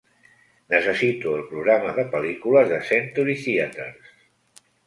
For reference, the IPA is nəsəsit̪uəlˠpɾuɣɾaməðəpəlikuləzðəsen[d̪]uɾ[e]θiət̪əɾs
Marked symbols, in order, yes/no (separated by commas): no, no